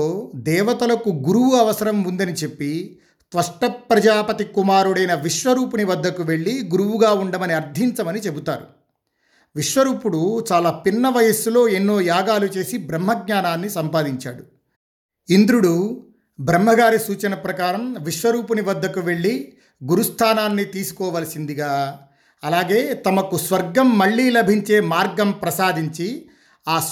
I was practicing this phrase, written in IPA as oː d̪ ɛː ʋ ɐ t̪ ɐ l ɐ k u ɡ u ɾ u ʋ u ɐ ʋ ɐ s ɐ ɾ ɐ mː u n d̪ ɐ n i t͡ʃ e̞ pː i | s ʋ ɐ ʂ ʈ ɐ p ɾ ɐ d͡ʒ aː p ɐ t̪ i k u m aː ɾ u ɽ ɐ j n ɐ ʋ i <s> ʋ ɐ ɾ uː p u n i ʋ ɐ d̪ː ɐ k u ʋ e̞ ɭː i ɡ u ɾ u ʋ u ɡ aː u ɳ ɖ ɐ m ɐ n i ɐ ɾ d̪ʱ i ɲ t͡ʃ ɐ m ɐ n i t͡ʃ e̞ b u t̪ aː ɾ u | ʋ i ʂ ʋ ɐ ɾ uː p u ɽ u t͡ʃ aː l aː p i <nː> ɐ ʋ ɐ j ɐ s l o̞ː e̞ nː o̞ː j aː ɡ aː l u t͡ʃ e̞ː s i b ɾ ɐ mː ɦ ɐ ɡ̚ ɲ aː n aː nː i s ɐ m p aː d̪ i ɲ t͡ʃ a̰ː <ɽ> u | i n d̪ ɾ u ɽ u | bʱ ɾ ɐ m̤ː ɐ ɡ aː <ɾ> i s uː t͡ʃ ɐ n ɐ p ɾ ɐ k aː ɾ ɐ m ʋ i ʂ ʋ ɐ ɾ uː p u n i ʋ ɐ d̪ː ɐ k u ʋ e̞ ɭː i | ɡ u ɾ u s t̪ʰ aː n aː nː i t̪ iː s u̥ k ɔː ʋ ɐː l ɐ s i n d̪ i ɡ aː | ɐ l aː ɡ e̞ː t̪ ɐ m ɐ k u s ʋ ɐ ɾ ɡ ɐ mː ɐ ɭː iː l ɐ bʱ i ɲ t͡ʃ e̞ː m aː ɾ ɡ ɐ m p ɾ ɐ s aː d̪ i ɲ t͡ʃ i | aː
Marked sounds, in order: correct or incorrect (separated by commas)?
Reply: incorrect, correct, correct, correct